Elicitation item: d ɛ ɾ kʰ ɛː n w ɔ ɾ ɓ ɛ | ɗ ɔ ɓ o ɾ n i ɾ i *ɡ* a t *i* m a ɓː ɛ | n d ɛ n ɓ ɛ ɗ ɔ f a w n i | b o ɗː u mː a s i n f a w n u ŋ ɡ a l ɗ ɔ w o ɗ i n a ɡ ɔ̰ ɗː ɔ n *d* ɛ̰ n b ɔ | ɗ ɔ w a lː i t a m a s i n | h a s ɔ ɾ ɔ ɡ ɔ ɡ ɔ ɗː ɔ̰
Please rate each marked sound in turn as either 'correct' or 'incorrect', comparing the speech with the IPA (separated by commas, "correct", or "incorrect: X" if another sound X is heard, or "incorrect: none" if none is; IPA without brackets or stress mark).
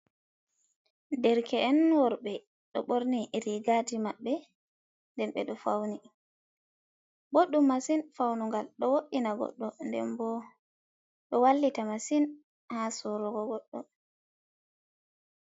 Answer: correct, correct, correct